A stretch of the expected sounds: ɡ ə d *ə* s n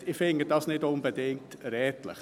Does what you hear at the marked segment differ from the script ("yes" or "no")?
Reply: yes